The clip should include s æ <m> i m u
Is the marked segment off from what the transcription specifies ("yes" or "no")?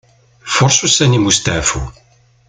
yes